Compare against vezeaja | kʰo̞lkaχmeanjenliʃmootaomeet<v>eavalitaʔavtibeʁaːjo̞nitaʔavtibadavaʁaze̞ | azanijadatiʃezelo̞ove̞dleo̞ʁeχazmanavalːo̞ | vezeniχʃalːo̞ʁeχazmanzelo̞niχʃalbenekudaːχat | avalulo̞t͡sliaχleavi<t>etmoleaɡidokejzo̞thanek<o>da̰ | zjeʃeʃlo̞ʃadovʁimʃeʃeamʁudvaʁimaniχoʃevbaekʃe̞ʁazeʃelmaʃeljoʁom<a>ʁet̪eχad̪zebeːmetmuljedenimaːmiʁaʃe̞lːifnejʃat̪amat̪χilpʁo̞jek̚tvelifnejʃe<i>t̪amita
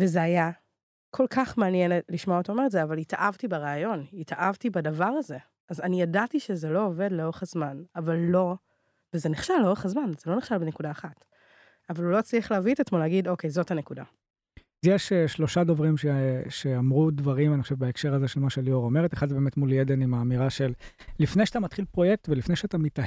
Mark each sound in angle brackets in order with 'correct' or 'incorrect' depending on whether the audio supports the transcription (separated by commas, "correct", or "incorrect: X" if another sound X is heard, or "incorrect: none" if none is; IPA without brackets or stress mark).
incorrect: z, correct, incorrect: u, incorrect: e, incorrect: a